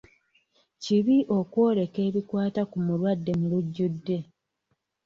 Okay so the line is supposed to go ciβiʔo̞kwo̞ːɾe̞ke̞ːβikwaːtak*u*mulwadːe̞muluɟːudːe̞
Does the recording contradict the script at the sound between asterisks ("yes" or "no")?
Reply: no